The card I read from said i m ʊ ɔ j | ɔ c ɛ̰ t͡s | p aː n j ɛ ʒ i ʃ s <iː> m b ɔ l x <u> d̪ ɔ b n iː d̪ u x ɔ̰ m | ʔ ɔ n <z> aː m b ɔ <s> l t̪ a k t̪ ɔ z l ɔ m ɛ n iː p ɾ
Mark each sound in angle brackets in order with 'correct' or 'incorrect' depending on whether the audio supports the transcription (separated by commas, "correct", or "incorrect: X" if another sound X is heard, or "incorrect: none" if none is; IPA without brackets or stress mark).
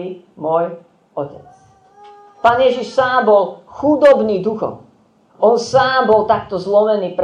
incorrect: aː, correct, incorrect: s, incorrect: none